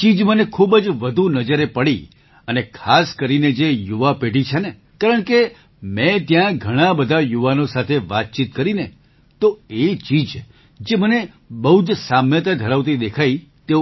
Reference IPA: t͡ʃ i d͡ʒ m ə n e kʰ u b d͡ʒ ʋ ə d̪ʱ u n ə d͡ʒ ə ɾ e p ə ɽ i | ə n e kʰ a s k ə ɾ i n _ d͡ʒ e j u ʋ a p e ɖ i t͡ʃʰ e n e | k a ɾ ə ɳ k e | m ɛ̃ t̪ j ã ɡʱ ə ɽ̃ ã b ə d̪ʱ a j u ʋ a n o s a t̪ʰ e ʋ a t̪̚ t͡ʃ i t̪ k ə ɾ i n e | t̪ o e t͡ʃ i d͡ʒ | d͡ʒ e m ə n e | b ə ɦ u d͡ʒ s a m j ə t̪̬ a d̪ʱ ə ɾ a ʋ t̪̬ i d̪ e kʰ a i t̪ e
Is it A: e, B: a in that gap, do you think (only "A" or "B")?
A